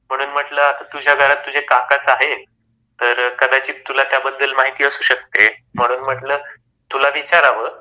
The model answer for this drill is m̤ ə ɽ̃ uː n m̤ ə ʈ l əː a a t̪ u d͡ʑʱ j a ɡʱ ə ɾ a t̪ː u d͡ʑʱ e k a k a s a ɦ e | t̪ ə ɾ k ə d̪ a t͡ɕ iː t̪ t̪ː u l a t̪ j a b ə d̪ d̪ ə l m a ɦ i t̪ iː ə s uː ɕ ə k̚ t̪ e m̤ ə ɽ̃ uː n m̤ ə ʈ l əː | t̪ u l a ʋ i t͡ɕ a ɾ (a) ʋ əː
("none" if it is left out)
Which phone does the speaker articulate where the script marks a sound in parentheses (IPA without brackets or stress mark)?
a